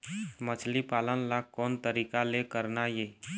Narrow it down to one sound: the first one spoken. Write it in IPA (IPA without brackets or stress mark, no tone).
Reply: m